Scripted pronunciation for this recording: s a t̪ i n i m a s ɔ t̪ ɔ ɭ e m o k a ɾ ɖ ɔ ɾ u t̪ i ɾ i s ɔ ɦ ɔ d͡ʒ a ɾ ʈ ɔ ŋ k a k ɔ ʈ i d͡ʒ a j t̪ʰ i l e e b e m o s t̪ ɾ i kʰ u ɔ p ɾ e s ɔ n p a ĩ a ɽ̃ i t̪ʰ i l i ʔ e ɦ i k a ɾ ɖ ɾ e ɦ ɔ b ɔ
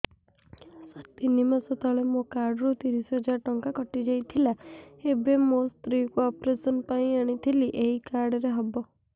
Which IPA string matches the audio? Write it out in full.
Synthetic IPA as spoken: s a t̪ i n i m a s ɔ t̪ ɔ ɭ e m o k a ɾ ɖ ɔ ɾ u t̪ i ɾ i s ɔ ɦ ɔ d͡ʒ a ɾ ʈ ɔ ŋ k a k ɔ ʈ i d͡ʒ a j t̪ʰ i l a e b e m o s t̪ ɾ i k u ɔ p ɾ e s ɔ n p a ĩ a ɽ̃ i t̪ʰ i l i ʔ e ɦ i k a ɾ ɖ ɾ e ɦ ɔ b ɔ

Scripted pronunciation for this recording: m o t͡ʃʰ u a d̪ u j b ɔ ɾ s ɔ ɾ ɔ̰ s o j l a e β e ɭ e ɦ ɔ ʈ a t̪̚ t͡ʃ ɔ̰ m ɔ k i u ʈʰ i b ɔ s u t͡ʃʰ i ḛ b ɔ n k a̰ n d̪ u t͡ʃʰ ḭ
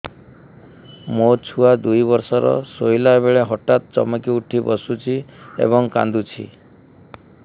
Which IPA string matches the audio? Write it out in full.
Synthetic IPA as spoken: m o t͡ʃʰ u a d̪ u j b ɔ ɾ s ɔ ɾ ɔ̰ s o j l a e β e ɭ e ɦ ɔ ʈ a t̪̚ t͡ʃ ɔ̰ m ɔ k i u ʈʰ i b ɔ s u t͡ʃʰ i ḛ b ɔ ŋ k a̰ n d̪ u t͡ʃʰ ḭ

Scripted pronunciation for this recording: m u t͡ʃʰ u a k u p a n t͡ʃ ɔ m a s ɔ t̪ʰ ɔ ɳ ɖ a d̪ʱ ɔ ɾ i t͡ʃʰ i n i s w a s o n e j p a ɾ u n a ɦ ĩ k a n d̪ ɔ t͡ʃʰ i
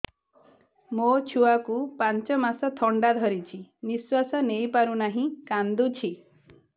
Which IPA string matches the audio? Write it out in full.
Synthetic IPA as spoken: m o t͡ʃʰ u a k u p a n t͡ʃ ɔ m a s ɔ t̪ʰ ɔ ɳ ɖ a d̪ʱ ɔ ɾ i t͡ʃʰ i n i s w a s ɔ n e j p a ɾ u n a ɦ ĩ k a n d̪ u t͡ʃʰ i

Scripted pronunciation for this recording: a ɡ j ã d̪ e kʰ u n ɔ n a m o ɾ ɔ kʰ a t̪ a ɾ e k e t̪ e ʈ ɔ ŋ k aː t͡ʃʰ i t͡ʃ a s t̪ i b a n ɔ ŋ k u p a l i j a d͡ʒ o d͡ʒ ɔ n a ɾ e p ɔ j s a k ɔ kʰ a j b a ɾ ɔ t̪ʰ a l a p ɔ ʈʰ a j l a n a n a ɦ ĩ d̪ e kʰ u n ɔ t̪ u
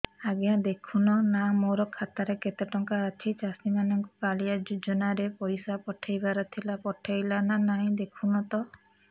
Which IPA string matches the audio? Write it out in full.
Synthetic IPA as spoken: a ɡ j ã d̪ e kʰ u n ɔ n a m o ɾ ɔ kʰ a t̪ a ɾ e k e t̪ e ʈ ɔ ŋ k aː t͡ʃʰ i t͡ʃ a s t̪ i m a n ɔ ŋ k u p a l i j a d͡ʒ u d͡ʒ ɔ n a ɾ e p ɔ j s a p ɔ ʈʰ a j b a ɾ ɔ t̪ʰ i l a p ɔ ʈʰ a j l a n a n a ɦ ĩ d̪ e kʰ u n ɔ t̪ ɔ

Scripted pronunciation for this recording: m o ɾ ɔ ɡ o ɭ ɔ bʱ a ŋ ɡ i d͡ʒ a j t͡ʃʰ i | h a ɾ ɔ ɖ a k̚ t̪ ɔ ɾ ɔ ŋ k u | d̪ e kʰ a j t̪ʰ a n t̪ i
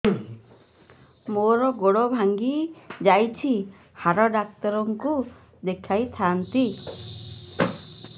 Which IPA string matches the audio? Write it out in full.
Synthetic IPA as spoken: m o ɾ ɔ ɡ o ɽ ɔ bʱ a ŋ ɡ i d͡ʒ a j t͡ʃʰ i | h a ɾ ɔ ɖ a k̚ t̪ ɔ ɾ ɔ ŋ k u | d̪ e kʰ a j t̪ʰ a n t̪ i

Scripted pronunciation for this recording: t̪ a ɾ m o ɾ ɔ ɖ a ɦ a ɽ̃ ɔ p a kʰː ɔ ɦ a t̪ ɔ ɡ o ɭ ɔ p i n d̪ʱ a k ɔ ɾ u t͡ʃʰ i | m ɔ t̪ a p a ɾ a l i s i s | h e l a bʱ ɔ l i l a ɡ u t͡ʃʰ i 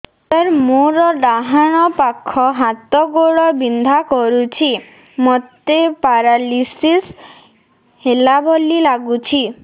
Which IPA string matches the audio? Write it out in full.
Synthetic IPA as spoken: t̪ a ɾ m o ɾ ɔ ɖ a ɦ a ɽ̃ ɔ p a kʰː ɔ ɦ a t̪ ɔ ɡ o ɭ ɔ b i n d̪ʱ a k ɔ ɾ u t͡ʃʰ i | m ɔ t̪ e p a ɾ a l i s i s | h e l a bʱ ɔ l i l a ɡ u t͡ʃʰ i

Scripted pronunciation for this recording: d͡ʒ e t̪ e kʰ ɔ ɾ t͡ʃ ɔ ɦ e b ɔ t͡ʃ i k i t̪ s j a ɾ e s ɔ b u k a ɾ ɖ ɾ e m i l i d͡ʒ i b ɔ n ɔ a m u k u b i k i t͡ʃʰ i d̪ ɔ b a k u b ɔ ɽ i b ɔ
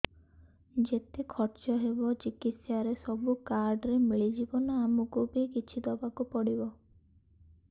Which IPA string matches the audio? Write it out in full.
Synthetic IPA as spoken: d͡ʒ e t̪ e kʰ ɔ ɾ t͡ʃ ɔ ɦ e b ɔ t͡ʃ i k i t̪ s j a ɾ e s ɔ b u k a ɾ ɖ ɾ e m i ɭ i d͡ʒ i b ɔ n ɔ a m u k u b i k i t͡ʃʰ i d̪ ɔ b a k u p ɔ ɽ i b ɔ

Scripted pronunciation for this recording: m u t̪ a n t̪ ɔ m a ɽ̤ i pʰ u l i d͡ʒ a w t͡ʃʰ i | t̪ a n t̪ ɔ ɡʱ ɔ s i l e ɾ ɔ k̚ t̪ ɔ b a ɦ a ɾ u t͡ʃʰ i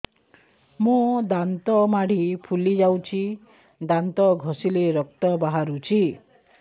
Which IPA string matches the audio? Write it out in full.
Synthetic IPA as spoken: m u d̪ a n t̪ ɔ m a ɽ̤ i pʰ u l i d͡ʒ a w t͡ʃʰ i | d̪ a n t̪ ɔ ɡʱ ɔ s i l e ɾ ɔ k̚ t̪ ɔ b a ɦ a ɾ u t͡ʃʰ i

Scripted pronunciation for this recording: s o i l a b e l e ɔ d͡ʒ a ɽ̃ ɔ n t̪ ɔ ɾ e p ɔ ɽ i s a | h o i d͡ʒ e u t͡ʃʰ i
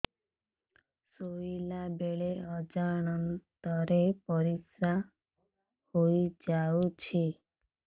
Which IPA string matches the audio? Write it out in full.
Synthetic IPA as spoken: s o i l a b e ɭ e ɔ d͡ʒ a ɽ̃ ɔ n t̪ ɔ ɾ e p ɔ ɾ i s a | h o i d͡ʒ a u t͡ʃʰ i

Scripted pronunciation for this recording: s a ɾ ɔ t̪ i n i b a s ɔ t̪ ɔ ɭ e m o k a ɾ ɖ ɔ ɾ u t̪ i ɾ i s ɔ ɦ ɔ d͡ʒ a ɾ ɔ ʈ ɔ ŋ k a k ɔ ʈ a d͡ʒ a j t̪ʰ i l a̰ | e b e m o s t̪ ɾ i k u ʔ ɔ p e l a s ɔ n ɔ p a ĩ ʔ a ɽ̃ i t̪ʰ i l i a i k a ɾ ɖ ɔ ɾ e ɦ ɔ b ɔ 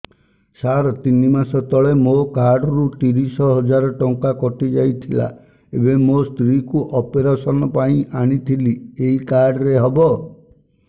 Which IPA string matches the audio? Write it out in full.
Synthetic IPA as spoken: s a ɾ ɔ t̪ i n i m a s ɔ t̪ ɔ ɭ e m o k a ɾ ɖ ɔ ɾ u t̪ i ɾ i s ɔ ɦ ɔ d͡ʒ a ɾ ɔ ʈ ɔ ŋ k a k ɔ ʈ i d͡ʒ a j t̪ʰ i l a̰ | e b e m o s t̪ ɾ i k u ʔ ɔ p e ɾ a s ɔ n ɔ p a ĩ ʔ a ɽ̃ i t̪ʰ i l i e i k a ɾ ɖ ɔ ɾ e ɦ ɔ b ɔ

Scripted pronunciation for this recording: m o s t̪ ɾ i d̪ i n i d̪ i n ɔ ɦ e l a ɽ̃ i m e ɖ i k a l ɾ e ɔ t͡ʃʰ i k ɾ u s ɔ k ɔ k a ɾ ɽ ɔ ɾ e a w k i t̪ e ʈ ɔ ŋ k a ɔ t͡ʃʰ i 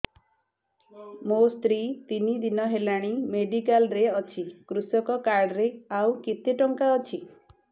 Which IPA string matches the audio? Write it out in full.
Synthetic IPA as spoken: m o s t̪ ɾ i t̪ i n i d̪ i n ɔ ɦ e l a ɽ̃ i m e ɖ i k a l ɾ e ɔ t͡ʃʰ i k ɾ u s ɔ k ɔ k a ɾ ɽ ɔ ɾ e a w k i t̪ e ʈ ɔ ŋ k a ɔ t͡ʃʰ i

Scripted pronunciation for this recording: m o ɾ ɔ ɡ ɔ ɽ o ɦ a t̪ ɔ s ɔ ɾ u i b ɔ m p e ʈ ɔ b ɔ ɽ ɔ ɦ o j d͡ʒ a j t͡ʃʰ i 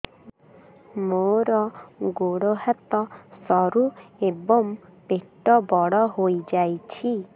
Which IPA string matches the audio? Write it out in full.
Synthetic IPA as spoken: m o ɾ ɔ ɡ o ɽ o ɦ a t̪ ɔ s ɔ ɾ u e b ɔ m p e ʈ ɔ b ɔ ɽ ɔ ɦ o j d͡ʒ a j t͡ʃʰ i

